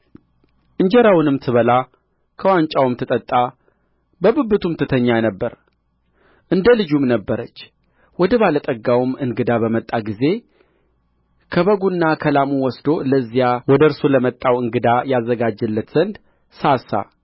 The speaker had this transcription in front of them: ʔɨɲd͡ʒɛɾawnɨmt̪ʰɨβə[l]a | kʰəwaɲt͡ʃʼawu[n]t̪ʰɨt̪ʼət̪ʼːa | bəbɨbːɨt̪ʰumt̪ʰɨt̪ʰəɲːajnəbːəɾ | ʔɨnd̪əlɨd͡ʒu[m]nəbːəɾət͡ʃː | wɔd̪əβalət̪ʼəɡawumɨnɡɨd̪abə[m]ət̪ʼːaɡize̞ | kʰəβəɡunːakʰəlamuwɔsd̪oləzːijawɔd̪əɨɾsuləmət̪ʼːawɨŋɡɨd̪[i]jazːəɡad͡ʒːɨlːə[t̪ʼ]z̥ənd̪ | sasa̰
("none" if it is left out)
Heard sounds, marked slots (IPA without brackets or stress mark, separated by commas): l, m, m, m, a, t̪